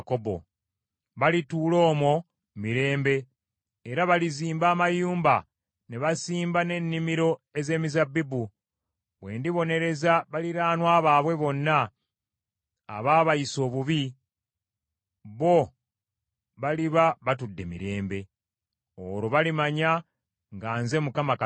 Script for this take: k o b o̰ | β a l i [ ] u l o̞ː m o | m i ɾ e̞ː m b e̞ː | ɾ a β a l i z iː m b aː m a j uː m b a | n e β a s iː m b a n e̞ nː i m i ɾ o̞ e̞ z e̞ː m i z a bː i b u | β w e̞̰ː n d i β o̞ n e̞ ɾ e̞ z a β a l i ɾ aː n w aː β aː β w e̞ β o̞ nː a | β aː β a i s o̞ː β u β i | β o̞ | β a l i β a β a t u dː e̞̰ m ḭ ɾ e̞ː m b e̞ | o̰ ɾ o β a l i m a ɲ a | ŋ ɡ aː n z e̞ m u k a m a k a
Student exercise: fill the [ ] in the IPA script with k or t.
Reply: t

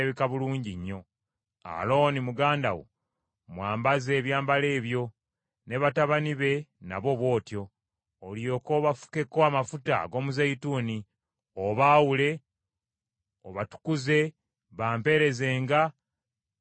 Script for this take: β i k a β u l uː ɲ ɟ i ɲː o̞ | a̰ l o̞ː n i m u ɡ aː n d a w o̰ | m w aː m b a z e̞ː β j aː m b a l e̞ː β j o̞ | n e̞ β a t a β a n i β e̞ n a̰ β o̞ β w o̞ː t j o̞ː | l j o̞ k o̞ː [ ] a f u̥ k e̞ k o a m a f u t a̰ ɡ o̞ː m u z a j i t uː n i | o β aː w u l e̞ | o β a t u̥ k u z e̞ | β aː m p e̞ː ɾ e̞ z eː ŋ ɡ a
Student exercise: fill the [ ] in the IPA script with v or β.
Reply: β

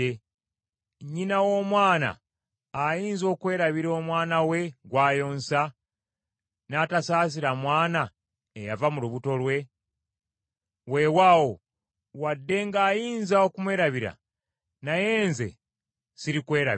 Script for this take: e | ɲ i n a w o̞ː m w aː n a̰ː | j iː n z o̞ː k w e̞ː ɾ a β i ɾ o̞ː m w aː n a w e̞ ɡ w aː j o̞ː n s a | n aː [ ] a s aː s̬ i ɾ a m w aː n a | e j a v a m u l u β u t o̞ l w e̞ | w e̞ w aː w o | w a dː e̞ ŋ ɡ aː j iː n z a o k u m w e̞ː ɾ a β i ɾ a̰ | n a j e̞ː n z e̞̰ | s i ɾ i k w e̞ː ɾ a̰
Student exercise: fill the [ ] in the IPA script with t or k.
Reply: t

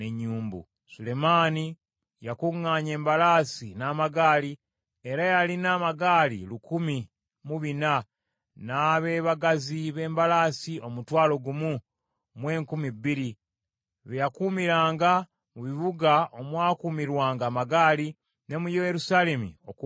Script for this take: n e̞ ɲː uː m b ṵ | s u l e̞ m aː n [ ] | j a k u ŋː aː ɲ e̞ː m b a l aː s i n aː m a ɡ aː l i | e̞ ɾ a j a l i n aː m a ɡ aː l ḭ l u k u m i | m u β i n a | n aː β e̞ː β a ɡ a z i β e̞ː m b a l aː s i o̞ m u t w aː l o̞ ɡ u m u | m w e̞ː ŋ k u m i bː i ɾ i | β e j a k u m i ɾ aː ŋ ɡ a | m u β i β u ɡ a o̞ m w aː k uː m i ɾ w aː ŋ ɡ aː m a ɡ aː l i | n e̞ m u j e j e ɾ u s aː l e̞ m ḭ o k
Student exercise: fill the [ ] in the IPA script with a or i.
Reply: i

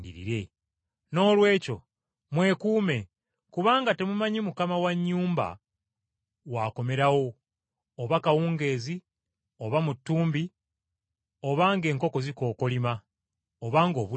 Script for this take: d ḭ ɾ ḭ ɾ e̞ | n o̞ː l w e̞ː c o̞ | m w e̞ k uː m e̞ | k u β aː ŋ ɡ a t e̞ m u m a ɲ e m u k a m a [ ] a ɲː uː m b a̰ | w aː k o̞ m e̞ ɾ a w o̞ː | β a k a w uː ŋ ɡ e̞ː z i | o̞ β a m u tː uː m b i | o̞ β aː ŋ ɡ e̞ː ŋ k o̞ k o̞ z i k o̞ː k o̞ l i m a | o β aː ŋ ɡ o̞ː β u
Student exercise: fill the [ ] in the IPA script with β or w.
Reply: w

